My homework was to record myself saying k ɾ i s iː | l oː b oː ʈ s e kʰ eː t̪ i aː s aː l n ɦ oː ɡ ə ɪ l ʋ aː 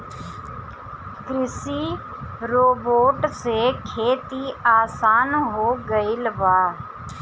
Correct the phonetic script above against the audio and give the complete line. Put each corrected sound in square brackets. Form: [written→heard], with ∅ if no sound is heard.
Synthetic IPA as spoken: k ɾ [i→ɪ] s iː | [l→ɾ] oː b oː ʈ s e kʰ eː t̪ i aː s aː [l→∅] n ɦ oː ɡ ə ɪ l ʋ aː